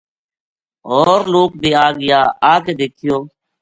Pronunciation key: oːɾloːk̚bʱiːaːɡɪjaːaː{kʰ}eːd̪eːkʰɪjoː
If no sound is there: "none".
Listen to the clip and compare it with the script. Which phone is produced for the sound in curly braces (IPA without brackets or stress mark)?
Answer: k